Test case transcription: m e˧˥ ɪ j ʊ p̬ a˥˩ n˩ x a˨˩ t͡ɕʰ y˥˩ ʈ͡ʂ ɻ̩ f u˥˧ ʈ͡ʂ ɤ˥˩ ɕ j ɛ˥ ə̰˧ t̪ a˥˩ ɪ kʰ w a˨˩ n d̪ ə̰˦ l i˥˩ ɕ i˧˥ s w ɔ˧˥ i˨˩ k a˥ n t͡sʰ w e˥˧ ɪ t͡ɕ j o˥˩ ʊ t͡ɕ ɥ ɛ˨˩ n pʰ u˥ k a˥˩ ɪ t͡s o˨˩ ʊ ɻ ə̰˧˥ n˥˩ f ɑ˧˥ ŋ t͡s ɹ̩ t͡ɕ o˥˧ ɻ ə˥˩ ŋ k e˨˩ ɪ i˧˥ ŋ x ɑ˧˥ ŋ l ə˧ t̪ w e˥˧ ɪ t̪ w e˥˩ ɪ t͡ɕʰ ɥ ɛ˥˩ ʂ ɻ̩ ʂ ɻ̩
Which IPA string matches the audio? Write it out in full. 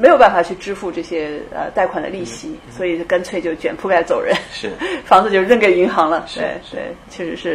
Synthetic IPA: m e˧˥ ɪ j ʊ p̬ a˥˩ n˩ f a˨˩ t͡ɕʰ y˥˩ ʈ͡ʂ ɻ̩ f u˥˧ ʈ͡ʂ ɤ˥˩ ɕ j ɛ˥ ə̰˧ t̪ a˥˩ ɪ kʰ w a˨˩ n d̪ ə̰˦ l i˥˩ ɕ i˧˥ s w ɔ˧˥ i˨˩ k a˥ n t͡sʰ w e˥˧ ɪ t͡ɕ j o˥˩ ʊ t͡ɕ ɥ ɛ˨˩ n pʰ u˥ k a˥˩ ɪ t͡s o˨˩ ʊ ɻ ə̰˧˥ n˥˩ f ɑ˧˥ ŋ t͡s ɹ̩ t͡ɕ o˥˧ ɻ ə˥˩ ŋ k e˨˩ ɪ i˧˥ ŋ x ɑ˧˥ ŋ l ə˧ t̪ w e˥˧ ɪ t̪ w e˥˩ ɪ t͡ɕʰ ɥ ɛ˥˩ ʂ ɻ̩ ʂ ɻ̩